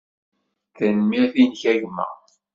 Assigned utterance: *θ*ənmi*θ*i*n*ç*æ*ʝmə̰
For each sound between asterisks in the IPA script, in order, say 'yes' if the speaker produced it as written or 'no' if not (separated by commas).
yes, yes, yes, yes